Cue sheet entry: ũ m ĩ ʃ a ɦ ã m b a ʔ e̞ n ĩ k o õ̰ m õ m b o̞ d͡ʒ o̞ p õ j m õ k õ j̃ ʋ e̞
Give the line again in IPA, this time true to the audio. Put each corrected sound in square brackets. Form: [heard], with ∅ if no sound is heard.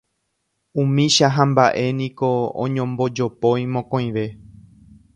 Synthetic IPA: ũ m ĩ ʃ a ɦ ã m b a ʔ e̞ n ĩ k o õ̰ [ɲ] õ m b o̞ d͡ʒ o̞ p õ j m õ k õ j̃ ʋ e̞